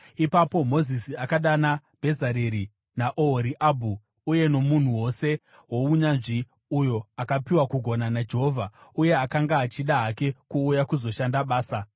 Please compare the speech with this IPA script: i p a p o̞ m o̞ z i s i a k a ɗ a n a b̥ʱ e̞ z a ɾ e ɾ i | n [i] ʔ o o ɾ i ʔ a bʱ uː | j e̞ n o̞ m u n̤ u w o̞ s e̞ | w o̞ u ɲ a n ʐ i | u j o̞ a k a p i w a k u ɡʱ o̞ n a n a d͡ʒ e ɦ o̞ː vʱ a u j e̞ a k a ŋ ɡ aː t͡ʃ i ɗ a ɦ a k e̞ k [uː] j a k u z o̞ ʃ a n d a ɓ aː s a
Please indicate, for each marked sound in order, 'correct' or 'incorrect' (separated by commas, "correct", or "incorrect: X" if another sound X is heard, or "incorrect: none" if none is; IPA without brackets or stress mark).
incorrect: a, correct